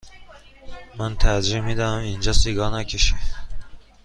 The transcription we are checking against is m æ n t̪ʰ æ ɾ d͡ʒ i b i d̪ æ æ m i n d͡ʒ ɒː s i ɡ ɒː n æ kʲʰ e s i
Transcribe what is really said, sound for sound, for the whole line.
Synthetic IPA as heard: m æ n t̪ʰ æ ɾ d͡ʒ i m i d̪ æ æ m i n d͡ʒ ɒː s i ɡ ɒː n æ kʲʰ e ʃ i